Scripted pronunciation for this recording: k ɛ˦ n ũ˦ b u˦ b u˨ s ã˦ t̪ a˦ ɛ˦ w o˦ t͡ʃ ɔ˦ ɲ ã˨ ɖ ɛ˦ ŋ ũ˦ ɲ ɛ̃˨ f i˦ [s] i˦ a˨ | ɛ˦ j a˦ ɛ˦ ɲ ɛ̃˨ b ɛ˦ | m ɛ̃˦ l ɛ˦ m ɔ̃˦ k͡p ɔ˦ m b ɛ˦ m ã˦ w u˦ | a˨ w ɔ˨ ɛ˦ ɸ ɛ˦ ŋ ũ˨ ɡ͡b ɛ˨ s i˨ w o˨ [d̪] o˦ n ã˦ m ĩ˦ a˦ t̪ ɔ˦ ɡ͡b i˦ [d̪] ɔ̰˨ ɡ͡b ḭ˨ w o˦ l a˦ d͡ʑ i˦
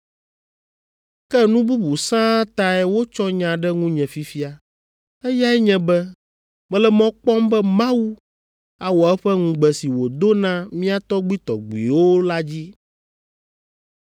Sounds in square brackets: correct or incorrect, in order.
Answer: incorrect: f, correct, incorrect: t̪

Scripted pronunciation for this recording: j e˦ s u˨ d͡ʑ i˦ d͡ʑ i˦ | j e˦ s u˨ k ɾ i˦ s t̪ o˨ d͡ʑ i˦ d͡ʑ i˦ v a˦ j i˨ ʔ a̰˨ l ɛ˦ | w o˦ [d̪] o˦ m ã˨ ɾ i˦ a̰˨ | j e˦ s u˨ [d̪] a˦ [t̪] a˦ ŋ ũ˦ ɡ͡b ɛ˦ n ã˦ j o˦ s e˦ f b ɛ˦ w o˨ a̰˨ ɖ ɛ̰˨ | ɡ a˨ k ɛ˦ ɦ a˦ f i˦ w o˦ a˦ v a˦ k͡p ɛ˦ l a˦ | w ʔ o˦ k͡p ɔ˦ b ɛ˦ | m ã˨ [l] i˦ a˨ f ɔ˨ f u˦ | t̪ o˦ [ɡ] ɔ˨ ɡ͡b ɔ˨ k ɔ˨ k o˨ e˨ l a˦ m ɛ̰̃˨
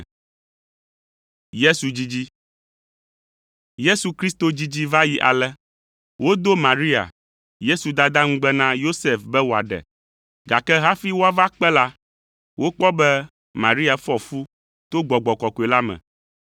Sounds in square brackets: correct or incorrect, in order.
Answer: correct, correct, incorrect: d̪, incorrect: ɾ, incorrect: ɡ͡b

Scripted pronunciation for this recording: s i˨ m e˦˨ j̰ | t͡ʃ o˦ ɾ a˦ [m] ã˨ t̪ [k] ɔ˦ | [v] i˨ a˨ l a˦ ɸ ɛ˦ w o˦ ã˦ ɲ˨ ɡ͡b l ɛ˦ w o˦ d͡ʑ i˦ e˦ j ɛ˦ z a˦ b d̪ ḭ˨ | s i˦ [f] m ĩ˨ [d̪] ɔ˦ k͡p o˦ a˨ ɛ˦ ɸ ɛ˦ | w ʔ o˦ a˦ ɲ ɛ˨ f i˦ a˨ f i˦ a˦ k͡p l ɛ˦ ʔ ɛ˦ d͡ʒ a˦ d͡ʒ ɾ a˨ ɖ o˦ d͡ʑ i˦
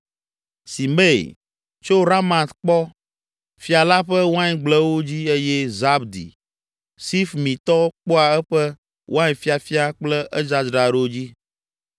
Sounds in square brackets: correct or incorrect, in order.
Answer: correct, incorrect: k͡p, incorrect: f, correct, incorrect: t̪

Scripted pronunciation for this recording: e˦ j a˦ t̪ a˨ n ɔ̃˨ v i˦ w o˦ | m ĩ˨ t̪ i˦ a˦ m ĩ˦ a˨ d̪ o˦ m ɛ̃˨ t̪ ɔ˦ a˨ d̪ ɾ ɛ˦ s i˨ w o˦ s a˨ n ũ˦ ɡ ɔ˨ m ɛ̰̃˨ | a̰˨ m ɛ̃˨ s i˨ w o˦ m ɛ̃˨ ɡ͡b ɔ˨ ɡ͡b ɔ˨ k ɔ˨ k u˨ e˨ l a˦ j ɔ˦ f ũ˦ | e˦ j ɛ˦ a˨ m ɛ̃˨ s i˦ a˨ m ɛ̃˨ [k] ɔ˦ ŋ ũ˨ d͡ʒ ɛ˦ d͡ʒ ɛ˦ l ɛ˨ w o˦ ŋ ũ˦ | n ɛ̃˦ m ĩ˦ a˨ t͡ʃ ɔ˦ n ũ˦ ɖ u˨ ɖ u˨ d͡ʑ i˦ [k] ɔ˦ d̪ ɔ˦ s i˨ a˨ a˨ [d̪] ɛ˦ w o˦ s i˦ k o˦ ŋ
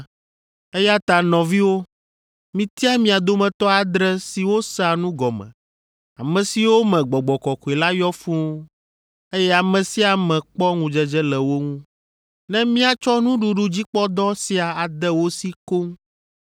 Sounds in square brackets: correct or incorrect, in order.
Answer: incorrect: k͡p, incorrect: k͡p, correct

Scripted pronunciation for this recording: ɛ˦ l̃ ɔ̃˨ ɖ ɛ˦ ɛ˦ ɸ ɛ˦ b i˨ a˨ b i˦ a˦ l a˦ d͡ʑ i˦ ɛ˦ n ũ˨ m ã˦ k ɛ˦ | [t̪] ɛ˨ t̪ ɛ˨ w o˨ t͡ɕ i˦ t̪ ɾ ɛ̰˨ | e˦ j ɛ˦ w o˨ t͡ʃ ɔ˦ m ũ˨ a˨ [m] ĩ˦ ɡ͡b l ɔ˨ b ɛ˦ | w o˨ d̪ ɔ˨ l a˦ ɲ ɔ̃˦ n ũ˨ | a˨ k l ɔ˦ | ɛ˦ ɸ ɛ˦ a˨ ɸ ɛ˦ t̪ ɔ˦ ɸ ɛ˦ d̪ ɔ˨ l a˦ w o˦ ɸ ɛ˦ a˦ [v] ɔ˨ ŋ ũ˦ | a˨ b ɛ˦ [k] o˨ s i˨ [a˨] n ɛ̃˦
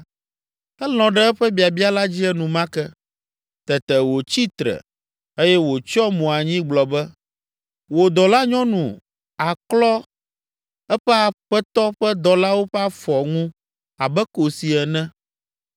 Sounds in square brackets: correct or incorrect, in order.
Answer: correct, incorrect: ɲ, incorrect: f, correct, incorrect: ɛ˨

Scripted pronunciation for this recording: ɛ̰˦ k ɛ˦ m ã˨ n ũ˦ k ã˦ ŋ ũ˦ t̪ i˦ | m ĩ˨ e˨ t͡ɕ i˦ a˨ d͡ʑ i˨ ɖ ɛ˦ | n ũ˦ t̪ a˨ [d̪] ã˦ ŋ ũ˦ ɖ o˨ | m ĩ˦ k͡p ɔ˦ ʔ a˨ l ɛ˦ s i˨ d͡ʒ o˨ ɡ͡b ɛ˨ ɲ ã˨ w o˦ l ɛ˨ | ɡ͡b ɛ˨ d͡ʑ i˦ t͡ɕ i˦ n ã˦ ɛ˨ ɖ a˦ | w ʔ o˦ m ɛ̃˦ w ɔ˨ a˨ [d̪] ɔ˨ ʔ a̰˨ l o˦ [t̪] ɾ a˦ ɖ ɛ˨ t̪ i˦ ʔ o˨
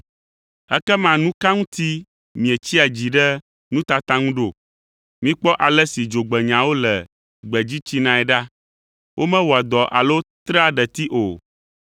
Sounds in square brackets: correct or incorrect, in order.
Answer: incorrect: t̪, correct, correct

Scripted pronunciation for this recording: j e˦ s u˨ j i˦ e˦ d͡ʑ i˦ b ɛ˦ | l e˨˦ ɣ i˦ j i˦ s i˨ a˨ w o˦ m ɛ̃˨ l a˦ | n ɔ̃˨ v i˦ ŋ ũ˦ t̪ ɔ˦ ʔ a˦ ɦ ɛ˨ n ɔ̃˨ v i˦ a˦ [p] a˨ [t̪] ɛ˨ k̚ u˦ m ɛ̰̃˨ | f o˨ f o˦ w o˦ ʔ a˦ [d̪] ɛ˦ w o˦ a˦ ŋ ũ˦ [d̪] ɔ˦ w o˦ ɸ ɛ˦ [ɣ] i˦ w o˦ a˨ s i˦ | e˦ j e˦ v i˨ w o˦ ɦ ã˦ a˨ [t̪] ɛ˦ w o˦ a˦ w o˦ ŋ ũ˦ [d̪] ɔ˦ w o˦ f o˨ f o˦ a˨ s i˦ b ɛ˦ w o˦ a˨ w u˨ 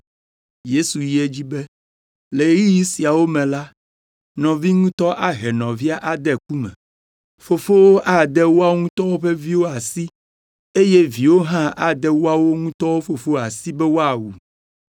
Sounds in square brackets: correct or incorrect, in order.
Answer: incorrect: ʔ, incorrect: d̪, correct, incorrect: t̪, incorrect: v, incorrect: d̪, incorrect: t̪

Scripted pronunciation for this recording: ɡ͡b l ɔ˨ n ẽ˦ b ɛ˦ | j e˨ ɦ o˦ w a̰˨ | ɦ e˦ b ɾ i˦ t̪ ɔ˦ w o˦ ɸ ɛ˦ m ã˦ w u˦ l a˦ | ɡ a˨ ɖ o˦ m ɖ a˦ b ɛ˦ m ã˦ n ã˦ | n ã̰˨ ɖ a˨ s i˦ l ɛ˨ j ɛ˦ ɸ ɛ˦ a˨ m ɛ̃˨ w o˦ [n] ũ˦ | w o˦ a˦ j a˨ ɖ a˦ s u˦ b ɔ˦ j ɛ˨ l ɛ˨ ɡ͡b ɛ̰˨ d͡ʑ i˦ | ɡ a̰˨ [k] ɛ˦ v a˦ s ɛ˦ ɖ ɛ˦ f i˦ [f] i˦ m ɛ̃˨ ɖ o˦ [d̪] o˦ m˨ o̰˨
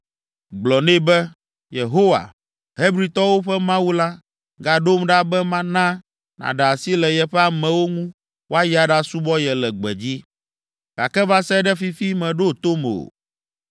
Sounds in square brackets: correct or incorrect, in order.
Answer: incorrect: ŋ, correct, correct, incorrect: t̪

